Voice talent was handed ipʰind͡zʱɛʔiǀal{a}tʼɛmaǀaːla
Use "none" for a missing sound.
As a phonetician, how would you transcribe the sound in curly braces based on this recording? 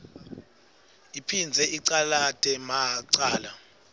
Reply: a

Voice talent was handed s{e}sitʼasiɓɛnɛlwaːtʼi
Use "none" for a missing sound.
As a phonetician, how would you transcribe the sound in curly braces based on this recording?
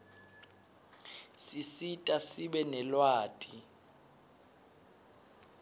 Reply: i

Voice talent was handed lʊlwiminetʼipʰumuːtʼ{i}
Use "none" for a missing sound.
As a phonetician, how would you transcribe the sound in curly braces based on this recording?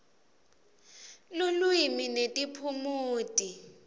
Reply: i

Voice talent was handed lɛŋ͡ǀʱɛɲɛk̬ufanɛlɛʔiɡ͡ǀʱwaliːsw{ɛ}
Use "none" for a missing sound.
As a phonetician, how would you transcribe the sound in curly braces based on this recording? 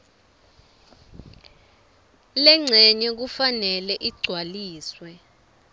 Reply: ɛ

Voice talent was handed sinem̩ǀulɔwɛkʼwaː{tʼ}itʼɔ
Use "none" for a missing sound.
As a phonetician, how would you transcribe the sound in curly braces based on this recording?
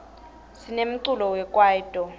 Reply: none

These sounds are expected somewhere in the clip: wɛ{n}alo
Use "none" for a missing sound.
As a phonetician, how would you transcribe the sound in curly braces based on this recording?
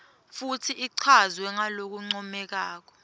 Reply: ŋ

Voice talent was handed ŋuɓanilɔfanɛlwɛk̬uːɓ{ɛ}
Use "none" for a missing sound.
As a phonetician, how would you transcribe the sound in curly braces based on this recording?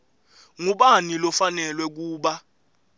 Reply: a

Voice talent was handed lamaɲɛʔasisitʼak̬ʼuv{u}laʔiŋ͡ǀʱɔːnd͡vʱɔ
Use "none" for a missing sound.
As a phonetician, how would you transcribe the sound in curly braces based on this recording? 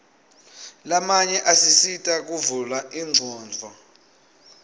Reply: u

